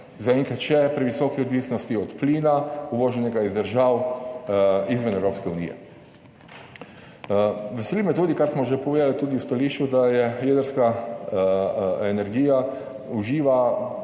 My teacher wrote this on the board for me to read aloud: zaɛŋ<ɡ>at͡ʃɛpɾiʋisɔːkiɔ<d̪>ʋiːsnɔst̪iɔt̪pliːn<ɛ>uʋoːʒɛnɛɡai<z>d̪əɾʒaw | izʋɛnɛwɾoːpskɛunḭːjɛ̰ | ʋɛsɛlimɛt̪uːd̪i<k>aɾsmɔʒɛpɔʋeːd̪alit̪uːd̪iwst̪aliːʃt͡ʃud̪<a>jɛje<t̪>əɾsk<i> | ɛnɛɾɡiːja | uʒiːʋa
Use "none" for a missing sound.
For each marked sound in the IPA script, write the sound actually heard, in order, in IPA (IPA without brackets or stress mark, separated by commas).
k, d̪, a, z, k, a, d̪, a